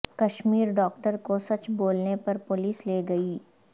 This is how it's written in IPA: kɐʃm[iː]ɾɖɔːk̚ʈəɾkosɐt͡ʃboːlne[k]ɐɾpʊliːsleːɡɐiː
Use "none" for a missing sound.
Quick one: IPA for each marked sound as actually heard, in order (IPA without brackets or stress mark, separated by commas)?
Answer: iː, p